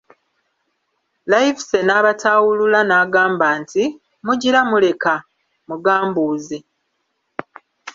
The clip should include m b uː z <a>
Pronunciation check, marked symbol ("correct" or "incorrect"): incorrect